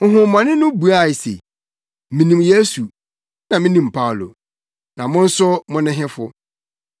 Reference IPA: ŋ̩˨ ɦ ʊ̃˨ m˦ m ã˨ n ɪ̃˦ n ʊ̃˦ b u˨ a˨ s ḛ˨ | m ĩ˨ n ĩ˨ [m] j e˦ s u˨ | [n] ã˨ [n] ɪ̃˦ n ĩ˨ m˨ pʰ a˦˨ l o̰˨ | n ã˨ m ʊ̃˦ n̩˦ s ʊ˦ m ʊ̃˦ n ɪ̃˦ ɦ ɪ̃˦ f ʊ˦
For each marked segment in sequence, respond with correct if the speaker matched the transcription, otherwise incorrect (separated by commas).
correct, correct, incorrect